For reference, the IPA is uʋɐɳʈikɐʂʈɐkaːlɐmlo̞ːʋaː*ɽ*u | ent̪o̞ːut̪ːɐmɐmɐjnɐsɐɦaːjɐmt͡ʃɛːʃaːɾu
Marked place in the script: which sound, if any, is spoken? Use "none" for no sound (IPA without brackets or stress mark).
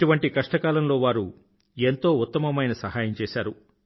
ɾ